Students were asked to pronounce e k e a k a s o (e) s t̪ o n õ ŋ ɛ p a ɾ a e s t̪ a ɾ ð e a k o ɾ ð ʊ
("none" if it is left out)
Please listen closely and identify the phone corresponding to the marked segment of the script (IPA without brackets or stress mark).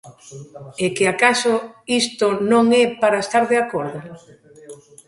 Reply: i